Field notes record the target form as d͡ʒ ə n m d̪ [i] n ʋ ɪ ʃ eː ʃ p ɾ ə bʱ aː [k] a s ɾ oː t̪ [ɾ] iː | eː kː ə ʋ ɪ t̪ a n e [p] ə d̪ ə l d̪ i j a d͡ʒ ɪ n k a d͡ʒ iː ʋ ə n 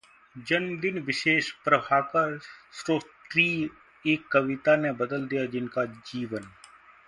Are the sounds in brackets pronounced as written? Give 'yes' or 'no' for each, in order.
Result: no, yes, yes, no

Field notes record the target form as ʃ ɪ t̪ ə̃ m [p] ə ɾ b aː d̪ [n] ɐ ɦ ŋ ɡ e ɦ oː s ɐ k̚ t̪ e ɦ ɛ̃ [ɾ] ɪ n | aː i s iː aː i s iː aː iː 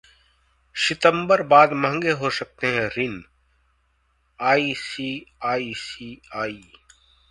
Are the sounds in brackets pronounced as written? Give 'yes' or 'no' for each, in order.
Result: no, no, yes

